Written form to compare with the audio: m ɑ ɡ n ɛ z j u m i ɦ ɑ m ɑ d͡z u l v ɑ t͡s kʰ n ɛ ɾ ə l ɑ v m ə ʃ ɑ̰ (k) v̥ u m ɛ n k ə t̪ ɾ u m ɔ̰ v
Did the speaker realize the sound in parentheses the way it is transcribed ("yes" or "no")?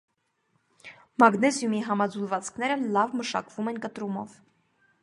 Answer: yes